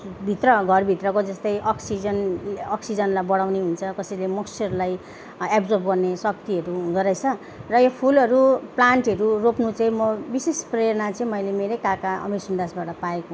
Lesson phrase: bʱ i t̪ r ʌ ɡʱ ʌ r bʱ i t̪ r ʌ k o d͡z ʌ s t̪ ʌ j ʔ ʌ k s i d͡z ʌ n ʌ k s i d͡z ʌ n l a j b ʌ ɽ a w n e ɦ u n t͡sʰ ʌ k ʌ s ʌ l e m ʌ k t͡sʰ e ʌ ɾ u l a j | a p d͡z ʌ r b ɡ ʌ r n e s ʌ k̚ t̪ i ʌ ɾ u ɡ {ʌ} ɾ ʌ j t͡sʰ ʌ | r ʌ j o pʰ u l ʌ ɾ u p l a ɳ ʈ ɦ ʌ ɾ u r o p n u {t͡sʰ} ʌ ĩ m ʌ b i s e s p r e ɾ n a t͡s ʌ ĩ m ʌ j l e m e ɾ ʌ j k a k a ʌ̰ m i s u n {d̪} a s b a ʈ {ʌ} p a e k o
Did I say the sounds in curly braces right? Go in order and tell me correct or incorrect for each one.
correct, incorrect, correct, correct

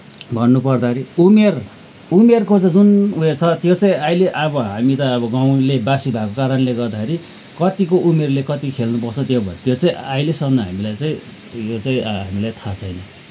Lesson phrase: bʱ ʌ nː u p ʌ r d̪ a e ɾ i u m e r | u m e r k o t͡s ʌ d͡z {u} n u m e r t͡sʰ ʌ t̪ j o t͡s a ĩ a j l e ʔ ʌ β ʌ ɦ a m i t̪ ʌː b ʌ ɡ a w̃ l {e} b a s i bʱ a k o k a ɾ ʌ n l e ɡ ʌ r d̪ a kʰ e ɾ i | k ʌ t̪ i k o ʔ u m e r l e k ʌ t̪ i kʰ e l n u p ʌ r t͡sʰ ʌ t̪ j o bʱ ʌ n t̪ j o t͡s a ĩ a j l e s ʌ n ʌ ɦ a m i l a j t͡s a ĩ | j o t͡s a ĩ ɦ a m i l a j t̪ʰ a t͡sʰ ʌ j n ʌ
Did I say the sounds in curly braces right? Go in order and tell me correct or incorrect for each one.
correct, correct

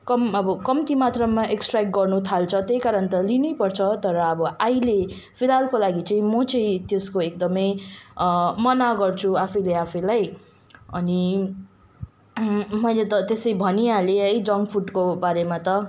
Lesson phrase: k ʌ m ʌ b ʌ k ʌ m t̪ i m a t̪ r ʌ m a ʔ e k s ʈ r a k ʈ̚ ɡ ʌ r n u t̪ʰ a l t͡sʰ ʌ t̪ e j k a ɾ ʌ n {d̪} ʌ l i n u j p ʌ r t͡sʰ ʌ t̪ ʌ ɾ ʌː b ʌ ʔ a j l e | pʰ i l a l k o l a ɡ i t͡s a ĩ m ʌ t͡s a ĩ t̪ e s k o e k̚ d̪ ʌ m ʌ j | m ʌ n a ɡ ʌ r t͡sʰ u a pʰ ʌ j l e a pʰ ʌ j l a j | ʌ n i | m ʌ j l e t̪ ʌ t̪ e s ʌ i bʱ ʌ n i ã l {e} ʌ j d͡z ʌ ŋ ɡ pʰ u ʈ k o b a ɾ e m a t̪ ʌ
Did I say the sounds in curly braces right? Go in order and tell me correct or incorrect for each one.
incorrect, correct

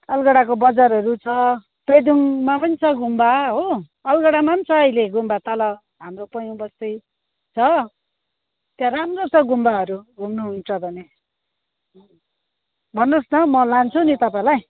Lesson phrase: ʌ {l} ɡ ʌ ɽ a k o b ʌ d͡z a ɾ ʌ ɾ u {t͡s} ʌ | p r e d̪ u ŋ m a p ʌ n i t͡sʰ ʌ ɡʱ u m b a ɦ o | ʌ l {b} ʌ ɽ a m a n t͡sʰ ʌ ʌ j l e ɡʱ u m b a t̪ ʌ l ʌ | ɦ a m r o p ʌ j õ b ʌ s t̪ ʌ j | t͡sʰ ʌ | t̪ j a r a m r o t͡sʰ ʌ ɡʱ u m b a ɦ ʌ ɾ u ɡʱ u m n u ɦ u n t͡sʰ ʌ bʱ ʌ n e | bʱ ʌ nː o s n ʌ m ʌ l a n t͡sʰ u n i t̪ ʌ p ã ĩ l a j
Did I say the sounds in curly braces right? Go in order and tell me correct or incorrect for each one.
correct, incorrect, incorrect

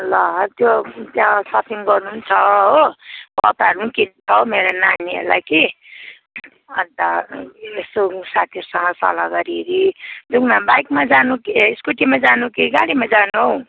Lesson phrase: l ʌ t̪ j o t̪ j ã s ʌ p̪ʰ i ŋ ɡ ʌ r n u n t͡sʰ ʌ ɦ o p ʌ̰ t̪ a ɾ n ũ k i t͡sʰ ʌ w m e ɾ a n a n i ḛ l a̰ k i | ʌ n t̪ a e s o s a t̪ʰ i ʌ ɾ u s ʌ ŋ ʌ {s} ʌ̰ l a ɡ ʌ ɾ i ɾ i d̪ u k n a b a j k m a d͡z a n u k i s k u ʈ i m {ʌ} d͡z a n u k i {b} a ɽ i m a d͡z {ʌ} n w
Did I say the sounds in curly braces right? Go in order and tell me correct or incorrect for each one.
correct, incorrect, incorrect, incorrect

